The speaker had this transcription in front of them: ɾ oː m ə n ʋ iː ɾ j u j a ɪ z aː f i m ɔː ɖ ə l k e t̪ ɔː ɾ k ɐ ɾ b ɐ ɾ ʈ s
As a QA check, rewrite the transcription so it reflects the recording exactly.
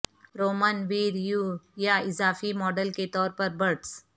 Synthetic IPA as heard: ɾ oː m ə n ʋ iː ɾ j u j a ɪ z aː f i m ɔː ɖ ə l k e t̪ ɔː ɾ p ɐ ɾ b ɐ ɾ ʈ s